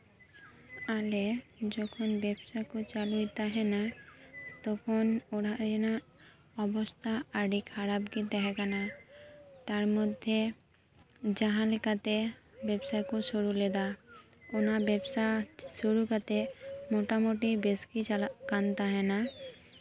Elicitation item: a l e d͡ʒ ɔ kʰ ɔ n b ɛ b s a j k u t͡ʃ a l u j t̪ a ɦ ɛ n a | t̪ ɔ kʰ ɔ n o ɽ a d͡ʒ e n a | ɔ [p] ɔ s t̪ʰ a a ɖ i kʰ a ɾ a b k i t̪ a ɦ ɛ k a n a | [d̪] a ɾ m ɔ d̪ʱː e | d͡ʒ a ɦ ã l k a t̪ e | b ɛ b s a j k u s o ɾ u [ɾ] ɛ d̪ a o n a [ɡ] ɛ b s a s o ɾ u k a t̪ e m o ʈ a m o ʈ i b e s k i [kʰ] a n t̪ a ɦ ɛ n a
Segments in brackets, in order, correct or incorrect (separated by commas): incorrect, incorrect, incorrect, incorrect, incorrect